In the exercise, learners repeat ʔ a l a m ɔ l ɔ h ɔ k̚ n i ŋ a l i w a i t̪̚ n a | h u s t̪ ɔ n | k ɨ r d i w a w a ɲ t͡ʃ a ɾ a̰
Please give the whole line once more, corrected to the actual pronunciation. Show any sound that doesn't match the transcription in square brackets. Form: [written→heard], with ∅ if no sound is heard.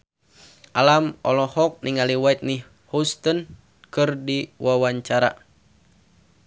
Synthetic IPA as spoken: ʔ a l a m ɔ l ɔ h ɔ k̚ n i ŋ a l i w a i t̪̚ n [a→i] | h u s t̪ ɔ n | k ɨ r d i w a w a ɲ t͡ʃ a ɾ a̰